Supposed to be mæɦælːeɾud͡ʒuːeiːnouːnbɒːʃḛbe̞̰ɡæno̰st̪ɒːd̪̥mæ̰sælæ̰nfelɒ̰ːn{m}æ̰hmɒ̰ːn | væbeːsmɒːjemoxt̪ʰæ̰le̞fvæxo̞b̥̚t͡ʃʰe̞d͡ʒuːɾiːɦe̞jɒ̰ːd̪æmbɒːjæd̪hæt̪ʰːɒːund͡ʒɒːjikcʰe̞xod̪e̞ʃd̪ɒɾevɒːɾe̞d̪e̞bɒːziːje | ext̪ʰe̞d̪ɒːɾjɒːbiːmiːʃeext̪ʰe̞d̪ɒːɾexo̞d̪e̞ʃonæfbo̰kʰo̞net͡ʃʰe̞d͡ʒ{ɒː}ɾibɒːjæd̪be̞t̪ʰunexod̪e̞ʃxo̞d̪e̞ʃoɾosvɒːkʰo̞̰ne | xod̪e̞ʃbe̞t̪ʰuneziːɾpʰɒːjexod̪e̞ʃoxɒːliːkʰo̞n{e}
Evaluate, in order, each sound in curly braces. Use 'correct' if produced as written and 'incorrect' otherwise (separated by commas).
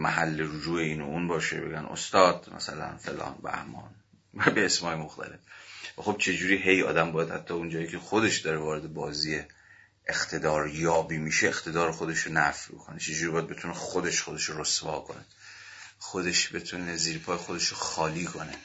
incorrect, incorrect, correct